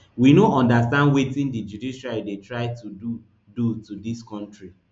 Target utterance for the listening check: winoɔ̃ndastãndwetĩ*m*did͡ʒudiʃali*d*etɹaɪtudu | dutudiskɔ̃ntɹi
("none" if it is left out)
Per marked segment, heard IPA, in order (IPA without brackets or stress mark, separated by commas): n, d